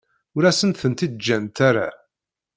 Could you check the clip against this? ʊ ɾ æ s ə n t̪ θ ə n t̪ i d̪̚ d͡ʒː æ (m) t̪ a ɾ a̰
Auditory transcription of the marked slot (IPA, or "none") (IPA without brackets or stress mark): n